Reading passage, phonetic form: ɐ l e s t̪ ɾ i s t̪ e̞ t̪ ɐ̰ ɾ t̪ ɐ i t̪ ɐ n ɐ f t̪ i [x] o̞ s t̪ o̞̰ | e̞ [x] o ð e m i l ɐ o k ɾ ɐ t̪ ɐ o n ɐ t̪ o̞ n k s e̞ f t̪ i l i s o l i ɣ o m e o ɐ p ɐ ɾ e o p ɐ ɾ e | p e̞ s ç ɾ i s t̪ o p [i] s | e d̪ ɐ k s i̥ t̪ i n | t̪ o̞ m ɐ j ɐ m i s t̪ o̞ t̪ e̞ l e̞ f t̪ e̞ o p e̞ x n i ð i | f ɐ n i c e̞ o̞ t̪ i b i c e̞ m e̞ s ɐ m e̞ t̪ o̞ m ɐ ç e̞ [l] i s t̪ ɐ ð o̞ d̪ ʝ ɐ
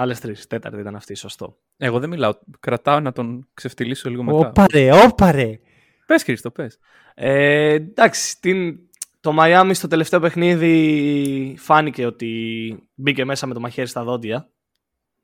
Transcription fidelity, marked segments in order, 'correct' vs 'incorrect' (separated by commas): incorrect, incorrect, incorrect, incorrect